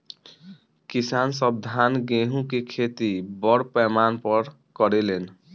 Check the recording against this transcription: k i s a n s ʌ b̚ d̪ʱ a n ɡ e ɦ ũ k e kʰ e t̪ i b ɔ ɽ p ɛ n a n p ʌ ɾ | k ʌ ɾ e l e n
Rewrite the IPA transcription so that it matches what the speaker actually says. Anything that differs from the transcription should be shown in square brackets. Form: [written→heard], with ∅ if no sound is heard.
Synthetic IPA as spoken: k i s a n s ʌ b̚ d̪ʱ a n ɡ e ɦ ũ k e kʰ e t̪ i b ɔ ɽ p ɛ [n→m] a n p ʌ ɾ | k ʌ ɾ e l e n